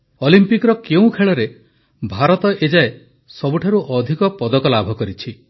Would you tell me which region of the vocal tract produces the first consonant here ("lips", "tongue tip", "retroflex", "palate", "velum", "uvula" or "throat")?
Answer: tongue tip